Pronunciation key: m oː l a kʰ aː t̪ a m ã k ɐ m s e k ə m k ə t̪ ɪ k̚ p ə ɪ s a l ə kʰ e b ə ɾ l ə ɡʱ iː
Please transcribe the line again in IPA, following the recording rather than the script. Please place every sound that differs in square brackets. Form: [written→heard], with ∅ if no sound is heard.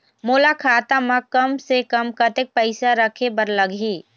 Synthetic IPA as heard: m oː l a kʰ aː t̪ a m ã k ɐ m s e k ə m k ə t̪ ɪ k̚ p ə ɪ s a [l→ɾ] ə kʰ e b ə ɾ l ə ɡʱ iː